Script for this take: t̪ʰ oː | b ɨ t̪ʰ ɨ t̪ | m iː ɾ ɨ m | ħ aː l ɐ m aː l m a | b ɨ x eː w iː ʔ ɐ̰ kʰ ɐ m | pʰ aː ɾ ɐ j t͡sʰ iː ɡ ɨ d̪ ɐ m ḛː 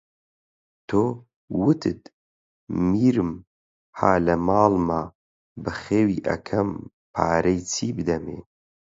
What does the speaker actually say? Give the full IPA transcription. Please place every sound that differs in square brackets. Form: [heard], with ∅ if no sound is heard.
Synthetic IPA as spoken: t̪ʰ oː | [w] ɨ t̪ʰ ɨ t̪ | m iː ɾ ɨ m | [h] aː l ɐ m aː l m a | b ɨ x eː w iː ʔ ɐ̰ kʰ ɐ m | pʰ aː ɾ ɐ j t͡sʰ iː [b] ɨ d̪ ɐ m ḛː